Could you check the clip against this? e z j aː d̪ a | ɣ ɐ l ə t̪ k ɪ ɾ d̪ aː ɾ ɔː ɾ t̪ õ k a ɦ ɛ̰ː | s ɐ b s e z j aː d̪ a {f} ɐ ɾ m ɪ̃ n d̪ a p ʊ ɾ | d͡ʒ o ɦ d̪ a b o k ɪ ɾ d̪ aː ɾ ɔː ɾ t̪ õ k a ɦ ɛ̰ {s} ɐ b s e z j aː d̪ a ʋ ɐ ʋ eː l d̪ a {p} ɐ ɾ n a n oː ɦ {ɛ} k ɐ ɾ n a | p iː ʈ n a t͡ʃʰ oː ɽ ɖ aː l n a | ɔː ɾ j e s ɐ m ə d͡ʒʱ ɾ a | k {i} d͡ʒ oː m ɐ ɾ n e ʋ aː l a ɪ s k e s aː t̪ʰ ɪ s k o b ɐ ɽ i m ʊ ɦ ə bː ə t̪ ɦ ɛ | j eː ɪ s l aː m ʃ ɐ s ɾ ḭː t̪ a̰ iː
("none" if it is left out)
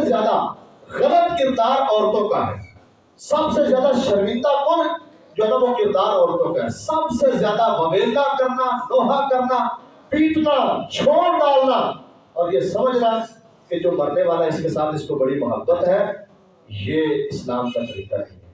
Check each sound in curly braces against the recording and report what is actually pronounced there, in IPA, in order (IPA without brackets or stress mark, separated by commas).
ʃ, s, k, a, e